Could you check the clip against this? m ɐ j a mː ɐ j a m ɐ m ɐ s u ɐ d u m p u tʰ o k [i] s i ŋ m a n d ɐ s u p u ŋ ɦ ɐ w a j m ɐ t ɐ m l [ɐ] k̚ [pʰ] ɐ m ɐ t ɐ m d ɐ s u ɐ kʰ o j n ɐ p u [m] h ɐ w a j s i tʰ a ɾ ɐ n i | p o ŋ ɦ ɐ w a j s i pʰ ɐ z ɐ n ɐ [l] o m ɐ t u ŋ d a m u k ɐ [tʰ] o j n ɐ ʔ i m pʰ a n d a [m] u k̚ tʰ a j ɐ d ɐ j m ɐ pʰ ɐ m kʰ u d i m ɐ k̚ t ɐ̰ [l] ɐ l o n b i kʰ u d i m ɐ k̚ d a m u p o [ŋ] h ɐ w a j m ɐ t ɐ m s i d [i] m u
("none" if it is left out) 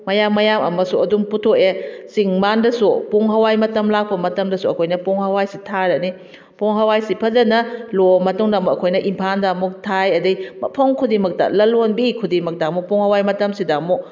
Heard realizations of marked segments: e, a, p, ŋ, l, kʰ, m, l, ŋ, a

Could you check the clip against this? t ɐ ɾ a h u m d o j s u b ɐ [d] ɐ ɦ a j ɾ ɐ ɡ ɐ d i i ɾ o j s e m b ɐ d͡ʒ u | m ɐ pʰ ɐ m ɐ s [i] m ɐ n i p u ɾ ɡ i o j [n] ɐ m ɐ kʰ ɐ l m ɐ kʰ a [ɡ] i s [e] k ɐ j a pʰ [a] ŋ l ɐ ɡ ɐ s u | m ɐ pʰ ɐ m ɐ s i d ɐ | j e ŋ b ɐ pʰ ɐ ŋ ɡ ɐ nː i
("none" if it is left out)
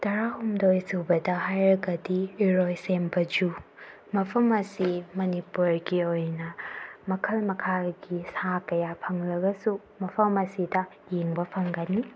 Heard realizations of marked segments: d, i, n, ɡ, a, ɐ

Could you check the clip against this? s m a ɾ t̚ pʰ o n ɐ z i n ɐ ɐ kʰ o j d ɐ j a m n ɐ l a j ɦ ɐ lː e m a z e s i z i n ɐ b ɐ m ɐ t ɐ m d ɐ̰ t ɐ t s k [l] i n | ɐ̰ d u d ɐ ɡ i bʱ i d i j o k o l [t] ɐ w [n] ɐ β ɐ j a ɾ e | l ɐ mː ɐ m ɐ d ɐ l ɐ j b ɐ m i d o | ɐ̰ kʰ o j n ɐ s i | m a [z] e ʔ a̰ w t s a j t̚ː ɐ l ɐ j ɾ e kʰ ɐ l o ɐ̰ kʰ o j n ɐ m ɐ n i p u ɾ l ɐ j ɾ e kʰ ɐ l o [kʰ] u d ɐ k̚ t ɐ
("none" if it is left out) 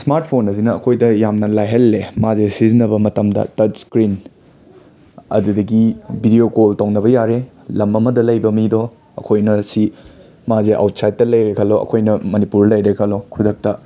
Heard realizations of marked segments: ɾ, t, n, z, kʰ

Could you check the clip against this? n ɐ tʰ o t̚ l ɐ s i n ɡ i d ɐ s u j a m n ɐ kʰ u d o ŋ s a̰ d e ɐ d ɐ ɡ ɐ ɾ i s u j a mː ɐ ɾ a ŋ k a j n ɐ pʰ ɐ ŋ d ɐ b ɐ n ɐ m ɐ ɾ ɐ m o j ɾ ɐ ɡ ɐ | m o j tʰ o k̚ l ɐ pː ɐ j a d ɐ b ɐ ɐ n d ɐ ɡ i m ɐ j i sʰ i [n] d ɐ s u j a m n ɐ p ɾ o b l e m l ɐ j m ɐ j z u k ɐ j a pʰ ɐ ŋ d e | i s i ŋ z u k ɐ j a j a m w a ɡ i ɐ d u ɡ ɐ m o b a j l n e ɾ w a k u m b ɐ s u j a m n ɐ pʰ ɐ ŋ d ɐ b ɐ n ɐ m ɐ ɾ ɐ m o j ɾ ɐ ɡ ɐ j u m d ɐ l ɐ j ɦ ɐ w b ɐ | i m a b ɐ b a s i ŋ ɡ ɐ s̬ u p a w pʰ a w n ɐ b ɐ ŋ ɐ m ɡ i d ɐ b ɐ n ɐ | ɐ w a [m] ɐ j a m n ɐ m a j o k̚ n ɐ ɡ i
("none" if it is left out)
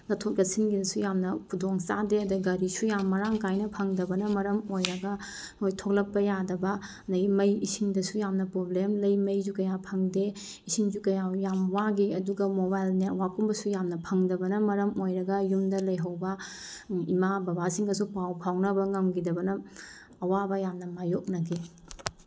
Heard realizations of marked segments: ŋ, b

